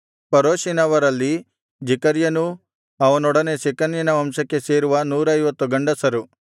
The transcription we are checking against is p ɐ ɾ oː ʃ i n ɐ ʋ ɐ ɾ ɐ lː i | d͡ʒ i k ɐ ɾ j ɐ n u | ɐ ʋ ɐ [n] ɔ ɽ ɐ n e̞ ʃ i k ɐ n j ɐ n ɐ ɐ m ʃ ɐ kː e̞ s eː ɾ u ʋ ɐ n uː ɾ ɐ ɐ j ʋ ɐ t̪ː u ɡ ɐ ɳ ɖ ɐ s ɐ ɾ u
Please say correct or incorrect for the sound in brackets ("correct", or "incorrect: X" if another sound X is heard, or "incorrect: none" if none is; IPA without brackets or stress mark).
correct